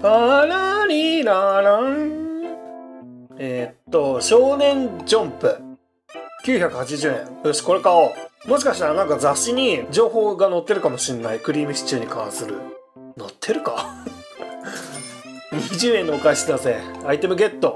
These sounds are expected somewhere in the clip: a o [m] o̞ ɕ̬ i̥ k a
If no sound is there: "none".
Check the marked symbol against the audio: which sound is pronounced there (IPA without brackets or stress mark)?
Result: m